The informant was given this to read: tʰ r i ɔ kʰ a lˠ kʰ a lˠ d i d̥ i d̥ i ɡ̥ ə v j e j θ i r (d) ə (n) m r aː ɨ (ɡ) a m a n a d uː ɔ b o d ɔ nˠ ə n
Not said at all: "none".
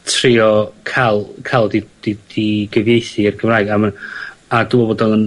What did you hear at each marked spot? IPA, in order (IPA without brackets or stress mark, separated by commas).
ɡ, none, ɡ